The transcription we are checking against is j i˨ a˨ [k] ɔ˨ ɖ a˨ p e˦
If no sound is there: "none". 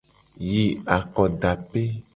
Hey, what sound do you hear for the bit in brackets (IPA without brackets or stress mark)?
k